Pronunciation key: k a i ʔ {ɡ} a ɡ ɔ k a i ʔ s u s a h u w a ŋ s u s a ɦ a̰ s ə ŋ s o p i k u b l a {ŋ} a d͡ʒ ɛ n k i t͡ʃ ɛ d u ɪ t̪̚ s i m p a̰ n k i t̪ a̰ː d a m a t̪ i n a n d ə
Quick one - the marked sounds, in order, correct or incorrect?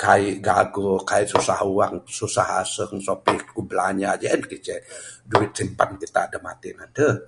correct, incorrect

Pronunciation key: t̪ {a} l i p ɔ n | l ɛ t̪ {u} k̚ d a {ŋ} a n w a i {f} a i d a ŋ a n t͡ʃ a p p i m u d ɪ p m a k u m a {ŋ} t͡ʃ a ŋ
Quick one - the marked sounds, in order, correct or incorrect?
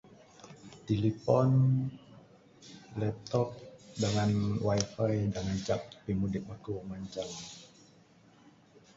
incorrect, incorrect, correct, correct, incorrect

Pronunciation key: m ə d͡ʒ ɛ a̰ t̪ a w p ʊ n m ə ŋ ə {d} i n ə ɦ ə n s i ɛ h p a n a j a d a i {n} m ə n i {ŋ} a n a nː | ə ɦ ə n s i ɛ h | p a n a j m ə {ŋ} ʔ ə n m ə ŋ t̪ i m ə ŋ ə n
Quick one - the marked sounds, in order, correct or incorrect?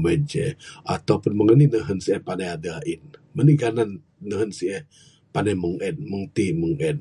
incorrect, correct, incorrect, correct

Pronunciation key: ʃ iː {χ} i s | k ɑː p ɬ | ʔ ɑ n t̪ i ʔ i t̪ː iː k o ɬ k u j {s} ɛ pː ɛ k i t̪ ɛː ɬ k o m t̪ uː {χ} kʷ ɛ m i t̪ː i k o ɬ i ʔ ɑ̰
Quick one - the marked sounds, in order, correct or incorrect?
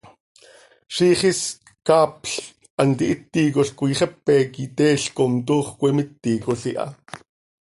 correct, incorrect, correct

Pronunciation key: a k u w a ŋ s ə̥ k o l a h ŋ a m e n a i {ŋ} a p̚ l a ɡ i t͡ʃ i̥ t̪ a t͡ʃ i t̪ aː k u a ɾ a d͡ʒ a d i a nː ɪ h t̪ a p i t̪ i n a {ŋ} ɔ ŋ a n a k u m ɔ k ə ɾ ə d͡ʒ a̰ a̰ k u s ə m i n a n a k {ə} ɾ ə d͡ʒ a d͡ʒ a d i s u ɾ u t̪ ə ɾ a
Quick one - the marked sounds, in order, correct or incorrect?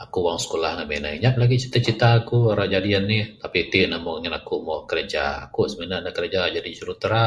incorrect, incorrect, correct

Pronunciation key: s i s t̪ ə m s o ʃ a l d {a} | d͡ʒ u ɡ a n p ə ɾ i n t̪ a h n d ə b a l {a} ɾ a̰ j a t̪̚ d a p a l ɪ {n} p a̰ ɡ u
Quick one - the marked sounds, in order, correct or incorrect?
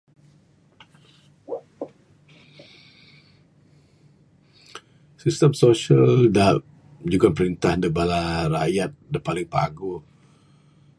correct, correct, incorrect

